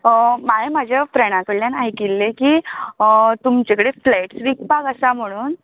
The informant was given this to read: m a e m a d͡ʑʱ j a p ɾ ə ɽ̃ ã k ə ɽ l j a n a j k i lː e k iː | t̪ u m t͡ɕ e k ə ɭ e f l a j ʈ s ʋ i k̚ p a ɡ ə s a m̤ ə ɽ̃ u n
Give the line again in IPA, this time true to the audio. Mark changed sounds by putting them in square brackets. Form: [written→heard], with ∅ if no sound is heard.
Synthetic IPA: m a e m a d͡ʑʱ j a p ɾ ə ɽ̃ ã k ə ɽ l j a n a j k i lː e k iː | t̪ u m t͡ɕ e k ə [ɭ→ɽ] e f l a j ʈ s ʋ i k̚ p a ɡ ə s a m̤ ə ɽ̃ [u→uː] n